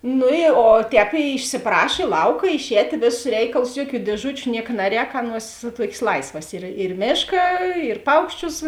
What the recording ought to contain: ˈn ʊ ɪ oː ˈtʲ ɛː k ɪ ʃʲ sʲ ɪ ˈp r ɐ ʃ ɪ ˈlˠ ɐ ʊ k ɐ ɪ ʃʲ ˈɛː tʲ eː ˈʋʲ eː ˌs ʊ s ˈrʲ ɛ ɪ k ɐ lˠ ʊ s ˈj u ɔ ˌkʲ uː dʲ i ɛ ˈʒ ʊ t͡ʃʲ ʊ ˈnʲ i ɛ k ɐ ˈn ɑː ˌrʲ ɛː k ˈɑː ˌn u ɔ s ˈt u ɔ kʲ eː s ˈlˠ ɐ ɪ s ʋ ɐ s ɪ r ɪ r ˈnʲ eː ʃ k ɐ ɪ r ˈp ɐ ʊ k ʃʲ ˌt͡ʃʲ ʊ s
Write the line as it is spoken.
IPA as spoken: ˈn ʊ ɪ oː ˈtʲ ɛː p ɪ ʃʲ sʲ ɪ ˈp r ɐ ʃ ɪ ˈlˠ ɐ ʊ k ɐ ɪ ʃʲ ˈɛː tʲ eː ˈʋʲ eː ˌs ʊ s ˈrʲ ɛ ɪ k ɐ lˠ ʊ s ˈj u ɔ ˌkʲ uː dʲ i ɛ ˈʒ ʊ t͡ʃʲ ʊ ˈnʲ i ɛ k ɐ ˈn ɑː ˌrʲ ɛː k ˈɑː ˌn u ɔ s ˈt u ɔ kʲ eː s ˈlˠ ɐ ɪ s ʋ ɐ s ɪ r ɪ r ˈmʲ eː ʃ k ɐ ɪ r ˈp ɐ ʊ k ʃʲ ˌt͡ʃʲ ʊ s